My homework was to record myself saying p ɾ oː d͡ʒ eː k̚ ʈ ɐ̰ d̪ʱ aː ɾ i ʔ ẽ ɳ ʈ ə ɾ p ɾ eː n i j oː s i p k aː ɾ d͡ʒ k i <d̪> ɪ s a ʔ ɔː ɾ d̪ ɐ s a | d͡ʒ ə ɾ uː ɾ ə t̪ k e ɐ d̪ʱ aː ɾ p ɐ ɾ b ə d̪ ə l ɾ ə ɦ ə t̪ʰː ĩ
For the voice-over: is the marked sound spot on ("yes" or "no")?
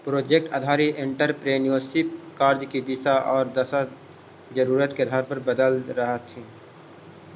yes